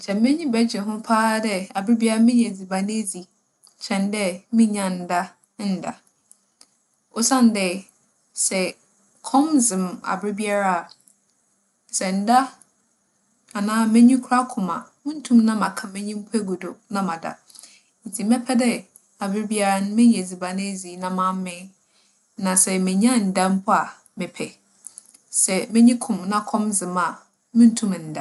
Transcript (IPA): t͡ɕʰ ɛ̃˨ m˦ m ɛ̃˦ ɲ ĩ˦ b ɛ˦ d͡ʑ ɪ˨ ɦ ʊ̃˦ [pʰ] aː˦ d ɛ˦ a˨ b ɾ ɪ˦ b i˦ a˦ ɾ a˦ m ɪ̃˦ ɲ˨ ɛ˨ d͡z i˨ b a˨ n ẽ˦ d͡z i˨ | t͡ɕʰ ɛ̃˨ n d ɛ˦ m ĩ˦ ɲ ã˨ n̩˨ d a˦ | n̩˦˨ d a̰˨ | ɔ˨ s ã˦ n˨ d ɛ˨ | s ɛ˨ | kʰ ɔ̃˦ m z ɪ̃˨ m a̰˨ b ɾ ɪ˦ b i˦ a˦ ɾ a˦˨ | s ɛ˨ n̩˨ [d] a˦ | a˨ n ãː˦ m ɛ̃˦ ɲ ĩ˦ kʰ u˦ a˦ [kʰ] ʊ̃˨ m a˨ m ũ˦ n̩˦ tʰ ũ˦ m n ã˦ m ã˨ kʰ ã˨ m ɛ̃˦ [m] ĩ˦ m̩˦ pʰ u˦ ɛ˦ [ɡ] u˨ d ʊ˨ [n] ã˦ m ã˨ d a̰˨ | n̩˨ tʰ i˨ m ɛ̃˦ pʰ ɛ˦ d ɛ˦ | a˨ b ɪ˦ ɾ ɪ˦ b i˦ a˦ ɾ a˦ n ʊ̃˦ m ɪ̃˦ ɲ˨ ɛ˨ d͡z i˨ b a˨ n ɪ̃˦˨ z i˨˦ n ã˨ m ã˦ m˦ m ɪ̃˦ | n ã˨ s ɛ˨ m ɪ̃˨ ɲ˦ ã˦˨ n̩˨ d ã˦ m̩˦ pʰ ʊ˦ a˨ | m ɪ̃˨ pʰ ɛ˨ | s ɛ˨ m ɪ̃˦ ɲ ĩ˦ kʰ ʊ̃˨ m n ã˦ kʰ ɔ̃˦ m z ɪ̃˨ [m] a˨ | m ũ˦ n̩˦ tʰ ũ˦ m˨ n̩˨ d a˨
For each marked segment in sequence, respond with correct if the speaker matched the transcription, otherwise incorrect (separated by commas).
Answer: correct, correct, correct, incorrect, correct, correct, correct